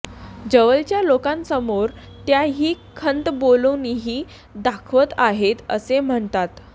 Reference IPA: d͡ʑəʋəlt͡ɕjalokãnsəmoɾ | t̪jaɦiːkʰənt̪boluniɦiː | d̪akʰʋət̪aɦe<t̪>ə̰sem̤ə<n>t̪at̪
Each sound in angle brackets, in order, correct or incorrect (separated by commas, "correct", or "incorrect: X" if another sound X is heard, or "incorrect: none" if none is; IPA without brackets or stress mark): correct, incorrect: ɳ